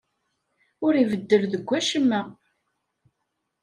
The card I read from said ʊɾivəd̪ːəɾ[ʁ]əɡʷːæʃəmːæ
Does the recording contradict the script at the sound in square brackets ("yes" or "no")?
yes